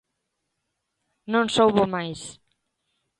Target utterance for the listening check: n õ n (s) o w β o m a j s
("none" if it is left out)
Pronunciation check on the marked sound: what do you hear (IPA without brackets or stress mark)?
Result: s